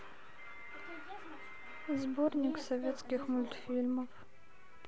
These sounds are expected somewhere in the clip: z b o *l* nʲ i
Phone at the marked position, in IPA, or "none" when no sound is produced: r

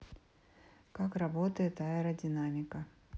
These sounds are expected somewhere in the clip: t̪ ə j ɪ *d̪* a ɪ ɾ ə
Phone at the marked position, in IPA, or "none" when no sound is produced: t̪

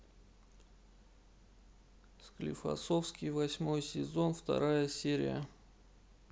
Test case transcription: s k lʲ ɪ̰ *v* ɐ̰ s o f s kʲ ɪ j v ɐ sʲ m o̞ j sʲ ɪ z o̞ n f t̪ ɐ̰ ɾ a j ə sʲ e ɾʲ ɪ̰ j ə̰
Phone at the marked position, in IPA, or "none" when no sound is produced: f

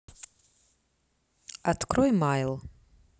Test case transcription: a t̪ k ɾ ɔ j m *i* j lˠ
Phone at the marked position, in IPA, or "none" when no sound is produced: a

